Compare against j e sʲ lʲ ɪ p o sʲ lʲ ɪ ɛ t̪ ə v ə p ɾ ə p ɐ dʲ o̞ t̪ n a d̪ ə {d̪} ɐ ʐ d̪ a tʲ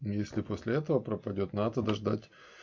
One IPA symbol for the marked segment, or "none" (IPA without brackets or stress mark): d̪